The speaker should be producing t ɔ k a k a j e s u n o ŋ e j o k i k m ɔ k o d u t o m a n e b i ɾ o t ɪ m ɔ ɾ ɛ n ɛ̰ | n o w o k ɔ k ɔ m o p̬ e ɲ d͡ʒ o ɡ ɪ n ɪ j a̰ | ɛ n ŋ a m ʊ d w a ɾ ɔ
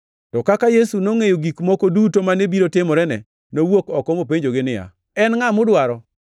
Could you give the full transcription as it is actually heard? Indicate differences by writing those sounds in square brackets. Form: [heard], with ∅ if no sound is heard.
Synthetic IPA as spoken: t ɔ k a k a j e s u n o ŋ e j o [ɡ] i k m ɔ k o d u t o m a n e b i ɾ o t ɪ m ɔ ɾ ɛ n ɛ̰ | n o w o k ɔ k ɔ m o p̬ e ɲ d͡ʒ o ɡ ɪ n ɪ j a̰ | ɛ n ŋ a m ʊ d w a ɾ ɔ